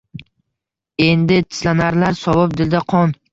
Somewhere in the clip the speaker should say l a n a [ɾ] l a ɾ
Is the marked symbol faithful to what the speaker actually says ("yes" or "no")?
yes